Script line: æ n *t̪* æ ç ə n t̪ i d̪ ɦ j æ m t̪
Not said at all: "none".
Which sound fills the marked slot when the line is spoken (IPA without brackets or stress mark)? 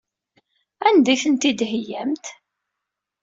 d̪